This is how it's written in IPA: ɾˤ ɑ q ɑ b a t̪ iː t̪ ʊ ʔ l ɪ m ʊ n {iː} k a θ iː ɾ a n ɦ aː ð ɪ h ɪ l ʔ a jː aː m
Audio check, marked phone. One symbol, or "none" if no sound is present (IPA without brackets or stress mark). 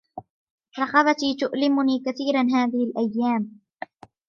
iː